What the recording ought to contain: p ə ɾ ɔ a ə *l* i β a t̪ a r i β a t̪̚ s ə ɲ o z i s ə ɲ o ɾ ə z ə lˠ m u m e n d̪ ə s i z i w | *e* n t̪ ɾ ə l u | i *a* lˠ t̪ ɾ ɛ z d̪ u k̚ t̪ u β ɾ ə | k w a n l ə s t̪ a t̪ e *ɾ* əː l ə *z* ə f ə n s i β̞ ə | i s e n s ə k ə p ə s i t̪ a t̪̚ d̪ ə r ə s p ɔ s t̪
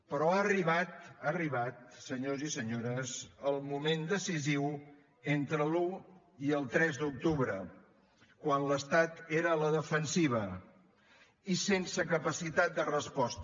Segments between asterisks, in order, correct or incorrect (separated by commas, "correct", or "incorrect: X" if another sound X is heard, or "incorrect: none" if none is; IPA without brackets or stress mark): incorrect: r, correct, incorrect: ə, correct, incorrect: ð